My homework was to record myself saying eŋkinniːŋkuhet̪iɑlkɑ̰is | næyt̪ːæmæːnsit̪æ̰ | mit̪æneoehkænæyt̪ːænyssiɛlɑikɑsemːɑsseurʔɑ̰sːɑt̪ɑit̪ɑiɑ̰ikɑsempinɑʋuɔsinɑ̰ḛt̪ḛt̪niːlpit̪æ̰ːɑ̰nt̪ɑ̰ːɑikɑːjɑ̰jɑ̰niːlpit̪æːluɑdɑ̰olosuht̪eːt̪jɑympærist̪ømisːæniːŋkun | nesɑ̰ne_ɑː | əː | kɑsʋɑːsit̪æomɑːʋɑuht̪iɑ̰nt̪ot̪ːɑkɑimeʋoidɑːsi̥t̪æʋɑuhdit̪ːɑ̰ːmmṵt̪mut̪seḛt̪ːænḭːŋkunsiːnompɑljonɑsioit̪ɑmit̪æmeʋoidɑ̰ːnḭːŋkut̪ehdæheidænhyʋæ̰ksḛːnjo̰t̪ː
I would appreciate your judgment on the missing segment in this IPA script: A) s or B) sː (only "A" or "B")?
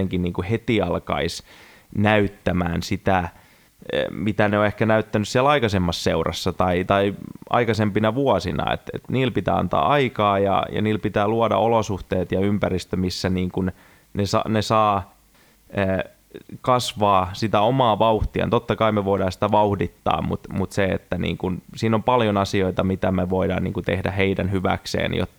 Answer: A